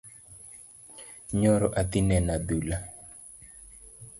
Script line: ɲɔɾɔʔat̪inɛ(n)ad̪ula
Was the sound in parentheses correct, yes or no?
yes